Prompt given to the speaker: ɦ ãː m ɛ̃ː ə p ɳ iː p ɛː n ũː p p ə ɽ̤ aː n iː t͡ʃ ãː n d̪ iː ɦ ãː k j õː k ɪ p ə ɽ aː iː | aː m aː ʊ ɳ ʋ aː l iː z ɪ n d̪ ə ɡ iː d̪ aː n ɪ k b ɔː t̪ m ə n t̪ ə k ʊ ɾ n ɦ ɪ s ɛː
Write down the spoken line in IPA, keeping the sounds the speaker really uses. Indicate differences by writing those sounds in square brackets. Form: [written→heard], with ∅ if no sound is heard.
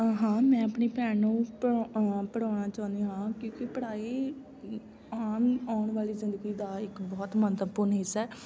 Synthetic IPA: ɦ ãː m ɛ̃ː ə p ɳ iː p ɛː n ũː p p ə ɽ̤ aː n [iː→aː] t͡ʃ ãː n d̪ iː ɦ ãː k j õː k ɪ p ə ɽ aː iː | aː m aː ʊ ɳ ʋ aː l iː z ɪ n d̪ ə ɡ iː d̪ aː [n→∅] ɪ k b ɔː t̪ m ə n t̪ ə [k→p] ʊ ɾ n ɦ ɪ s ɛː